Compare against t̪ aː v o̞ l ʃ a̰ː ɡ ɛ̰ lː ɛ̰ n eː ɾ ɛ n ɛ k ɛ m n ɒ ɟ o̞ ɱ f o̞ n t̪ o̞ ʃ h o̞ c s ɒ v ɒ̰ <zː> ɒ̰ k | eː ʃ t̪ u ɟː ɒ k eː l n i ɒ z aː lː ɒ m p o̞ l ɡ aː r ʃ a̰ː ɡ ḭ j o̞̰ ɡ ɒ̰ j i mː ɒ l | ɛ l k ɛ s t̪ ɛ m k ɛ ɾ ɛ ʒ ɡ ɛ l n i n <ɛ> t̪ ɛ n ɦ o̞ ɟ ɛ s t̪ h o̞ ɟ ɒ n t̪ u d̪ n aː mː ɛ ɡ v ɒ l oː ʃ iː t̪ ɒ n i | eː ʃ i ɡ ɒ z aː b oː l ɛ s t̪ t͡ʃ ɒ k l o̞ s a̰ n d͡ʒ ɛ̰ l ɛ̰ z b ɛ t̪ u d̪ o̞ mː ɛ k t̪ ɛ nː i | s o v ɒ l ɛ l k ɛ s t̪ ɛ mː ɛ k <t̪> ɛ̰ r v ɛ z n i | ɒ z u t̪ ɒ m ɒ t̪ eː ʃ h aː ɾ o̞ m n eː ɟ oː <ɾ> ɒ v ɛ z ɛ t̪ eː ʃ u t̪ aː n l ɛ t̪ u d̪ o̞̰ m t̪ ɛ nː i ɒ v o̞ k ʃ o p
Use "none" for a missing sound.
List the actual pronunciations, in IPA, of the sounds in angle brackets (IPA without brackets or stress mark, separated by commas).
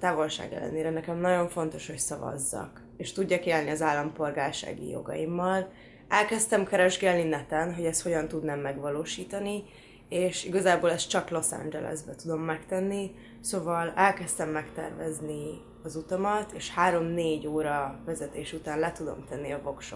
zː, ɛ, t̪, ɾ